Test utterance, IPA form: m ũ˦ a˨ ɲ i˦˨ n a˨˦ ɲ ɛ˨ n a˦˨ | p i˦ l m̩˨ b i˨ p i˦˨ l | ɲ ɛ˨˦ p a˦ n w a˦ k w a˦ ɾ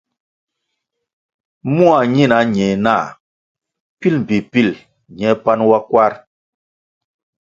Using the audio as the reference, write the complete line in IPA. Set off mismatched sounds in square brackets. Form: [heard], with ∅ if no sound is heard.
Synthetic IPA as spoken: m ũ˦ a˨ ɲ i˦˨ n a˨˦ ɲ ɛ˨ n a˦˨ | p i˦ l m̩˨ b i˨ p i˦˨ l | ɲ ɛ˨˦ p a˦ n w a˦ k w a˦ ɾ